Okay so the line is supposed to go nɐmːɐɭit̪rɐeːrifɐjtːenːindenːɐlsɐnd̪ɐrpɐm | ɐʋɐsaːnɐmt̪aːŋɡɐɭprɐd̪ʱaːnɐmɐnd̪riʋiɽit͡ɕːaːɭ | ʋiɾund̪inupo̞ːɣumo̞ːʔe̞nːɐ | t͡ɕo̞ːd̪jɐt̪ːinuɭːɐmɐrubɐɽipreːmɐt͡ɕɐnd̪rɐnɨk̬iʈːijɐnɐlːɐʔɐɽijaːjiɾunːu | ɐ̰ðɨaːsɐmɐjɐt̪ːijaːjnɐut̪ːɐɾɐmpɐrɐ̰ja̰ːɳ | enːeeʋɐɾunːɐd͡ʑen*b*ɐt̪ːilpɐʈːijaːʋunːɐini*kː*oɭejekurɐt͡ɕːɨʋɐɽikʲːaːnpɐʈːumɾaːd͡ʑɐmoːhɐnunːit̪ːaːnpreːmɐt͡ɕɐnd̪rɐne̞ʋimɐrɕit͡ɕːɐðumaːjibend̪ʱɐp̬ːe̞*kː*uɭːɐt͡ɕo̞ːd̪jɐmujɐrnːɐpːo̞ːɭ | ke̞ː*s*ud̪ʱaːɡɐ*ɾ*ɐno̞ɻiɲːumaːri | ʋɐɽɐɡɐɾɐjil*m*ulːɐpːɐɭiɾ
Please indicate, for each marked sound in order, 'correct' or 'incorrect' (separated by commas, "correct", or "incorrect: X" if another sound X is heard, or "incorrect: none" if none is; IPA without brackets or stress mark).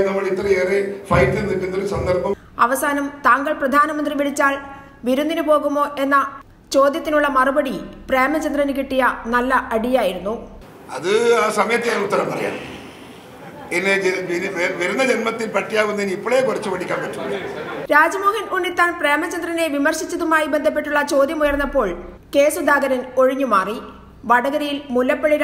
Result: incorrect: m, incorrect: pː, incorrect: ʈː, correct, correct, correct